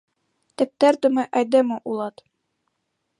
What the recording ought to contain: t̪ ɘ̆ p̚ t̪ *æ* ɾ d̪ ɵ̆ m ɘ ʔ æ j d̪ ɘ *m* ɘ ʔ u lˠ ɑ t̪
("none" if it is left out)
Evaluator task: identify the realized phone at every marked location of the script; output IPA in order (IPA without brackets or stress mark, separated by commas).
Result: æ, m